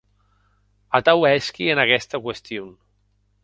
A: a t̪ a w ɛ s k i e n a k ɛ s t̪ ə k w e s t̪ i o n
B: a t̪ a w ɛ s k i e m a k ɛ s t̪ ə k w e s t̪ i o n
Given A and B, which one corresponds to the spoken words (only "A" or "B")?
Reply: A